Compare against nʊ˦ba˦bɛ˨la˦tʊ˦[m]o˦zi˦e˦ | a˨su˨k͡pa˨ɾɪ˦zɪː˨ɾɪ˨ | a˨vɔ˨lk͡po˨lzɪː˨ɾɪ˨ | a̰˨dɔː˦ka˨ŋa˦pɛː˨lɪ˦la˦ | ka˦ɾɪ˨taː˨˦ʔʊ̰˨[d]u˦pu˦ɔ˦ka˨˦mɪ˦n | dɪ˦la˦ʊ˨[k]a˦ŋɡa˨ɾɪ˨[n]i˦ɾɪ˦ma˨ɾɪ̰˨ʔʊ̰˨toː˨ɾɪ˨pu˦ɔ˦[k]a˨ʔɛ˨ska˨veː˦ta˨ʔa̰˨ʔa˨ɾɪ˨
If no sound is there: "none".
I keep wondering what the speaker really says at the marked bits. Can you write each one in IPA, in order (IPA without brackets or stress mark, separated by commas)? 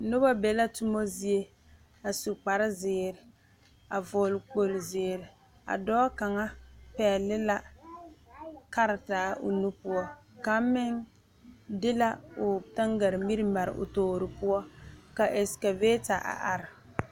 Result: m, n, t, m, k